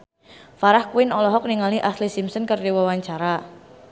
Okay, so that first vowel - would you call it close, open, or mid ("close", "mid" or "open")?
open